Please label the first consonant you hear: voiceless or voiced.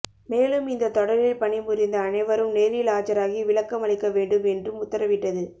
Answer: voiced